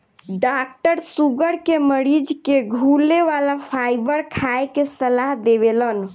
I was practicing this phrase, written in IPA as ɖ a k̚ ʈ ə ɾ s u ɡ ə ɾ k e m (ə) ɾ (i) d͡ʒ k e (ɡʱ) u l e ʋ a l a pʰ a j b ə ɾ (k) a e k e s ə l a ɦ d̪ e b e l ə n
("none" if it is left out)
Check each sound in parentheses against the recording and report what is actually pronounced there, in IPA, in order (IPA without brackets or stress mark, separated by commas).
ə, i, ɡʱ, kʰ